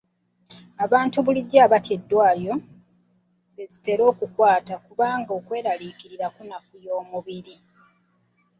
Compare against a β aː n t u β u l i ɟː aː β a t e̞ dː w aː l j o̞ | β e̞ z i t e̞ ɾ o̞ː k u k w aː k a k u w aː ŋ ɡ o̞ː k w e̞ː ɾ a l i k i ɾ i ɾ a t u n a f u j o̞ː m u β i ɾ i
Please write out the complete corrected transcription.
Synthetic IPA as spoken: a β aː n t u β u l i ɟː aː β a t e̞ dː w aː l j o̞ | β e̞ z i t e̞ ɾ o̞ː k u k w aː t a k u β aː ŋ ɡ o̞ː k w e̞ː ɾ a l i k i ɾ i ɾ a k u n a f u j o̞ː m u β i ɾ i